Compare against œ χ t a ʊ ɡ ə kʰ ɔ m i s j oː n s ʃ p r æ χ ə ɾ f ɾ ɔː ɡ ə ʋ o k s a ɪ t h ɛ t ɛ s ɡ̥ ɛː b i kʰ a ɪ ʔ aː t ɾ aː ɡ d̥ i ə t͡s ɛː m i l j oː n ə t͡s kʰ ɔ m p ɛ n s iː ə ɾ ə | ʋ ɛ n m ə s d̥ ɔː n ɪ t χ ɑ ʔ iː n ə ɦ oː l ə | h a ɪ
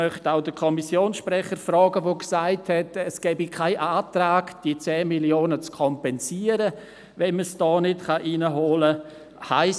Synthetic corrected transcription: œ χ t a ʊ d ə kʰ ɔ m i s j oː n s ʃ p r ɛ χ ə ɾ f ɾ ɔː ɡ ə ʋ o k s a ɪ t h ɛ t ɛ s ɡ̥ ɛː b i kʰ a ɪ ʔ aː t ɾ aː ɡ d̥ i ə t͡s ɛː m i l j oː n ə t͡s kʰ ɔ m p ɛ n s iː ə ɾ ə | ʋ ɛ n m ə s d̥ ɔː n ɪ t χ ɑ ʔ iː n ə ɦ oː l ə | h a ɪ